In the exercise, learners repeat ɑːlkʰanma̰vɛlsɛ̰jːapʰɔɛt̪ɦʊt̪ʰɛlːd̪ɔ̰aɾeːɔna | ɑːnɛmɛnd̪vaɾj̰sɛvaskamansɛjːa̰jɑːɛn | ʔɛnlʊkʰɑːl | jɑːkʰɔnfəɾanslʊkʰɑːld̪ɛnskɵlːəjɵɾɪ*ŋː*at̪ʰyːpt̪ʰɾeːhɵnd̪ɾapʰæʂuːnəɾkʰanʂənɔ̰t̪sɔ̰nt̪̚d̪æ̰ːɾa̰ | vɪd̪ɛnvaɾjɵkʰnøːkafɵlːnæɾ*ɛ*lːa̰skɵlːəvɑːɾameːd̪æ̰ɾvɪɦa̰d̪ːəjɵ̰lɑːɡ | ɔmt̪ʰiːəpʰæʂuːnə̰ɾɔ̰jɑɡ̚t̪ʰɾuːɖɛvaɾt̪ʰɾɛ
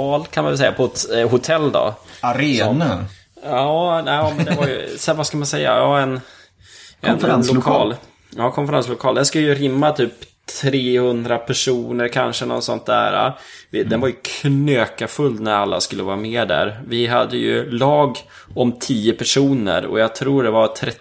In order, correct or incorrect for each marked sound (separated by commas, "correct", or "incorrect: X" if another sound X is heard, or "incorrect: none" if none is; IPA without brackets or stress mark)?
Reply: incorrect: mː, incorrect: a